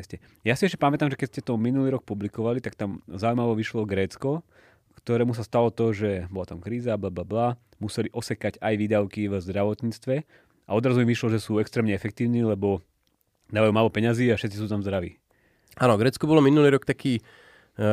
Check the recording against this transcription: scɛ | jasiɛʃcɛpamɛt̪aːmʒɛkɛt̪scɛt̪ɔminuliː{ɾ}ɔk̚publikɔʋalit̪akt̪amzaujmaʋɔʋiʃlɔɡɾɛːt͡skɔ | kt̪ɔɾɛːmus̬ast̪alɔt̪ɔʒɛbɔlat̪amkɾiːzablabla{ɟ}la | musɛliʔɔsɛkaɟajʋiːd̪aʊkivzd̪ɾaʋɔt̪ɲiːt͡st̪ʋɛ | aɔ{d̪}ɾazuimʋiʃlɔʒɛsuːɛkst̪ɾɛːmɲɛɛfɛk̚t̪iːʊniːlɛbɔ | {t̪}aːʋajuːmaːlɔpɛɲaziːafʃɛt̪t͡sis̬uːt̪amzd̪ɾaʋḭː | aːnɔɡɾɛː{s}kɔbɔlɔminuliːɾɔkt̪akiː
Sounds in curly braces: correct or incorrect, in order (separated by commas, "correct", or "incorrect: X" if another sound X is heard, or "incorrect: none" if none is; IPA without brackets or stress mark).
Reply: correct, incorrect: b, correct, incorrect: d̪, incorrect: t͡s